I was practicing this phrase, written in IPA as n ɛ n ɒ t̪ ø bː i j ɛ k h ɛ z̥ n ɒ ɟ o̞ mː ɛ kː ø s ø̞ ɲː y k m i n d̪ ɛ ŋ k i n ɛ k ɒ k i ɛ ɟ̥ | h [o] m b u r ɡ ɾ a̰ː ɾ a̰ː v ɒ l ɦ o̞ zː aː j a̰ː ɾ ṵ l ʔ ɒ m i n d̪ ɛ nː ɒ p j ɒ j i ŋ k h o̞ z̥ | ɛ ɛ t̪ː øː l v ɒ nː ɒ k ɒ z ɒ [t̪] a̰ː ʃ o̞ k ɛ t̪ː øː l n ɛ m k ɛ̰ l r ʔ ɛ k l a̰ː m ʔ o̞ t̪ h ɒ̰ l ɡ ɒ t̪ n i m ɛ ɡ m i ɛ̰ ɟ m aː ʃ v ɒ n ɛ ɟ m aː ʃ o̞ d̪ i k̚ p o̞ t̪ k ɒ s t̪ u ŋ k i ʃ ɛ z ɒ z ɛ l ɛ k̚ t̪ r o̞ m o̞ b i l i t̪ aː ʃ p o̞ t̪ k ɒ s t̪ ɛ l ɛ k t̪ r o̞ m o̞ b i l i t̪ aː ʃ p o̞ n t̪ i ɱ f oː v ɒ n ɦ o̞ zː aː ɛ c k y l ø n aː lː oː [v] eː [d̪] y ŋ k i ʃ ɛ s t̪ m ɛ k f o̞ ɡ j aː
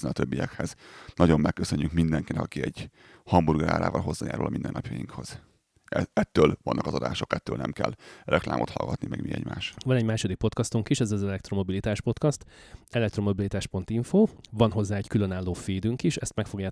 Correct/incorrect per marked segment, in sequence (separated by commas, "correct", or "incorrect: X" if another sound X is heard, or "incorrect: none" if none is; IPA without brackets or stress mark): incorrect: ɒ, incorrect: d̪, incorrect: f, correct